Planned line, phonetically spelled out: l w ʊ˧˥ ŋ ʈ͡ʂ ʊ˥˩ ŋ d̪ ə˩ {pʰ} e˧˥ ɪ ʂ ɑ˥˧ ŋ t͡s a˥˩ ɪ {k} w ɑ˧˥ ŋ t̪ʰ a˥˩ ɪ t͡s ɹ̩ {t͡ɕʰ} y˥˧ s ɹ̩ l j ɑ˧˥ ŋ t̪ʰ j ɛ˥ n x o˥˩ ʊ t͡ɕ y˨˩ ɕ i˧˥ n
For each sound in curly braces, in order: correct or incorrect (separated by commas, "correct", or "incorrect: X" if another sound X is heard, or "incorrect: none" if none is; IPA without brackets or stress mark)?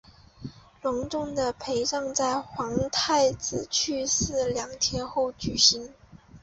correct, incorrect: x, correct